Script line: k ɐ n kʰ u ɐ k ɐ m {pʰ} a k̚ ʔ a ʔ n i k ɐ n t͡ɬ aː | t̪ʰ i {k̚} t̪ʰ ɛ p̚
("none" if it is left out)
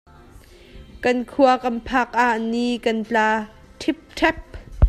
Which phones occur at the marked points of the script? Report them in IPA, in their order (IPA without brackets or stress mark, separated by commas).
pʰ, p̚